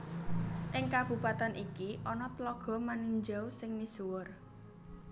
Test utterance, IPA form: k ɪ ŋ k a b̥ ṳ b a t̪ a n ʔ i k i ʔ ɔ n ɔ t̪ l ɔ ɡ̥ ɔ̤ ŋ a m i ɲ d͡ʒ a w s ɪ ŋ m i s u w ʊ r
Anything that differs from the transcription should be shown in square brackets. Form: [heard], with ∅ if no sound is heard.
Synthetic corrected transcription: [ʔ] ɪ ŋ k a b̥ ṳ [p] a t̪ a n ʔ i k i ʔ ɔ n ɔ t̪ l ɔ ɡ̥ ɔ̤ [m] a [n] i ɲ d͡ʒ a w s ɪ ŋ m i s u w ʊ r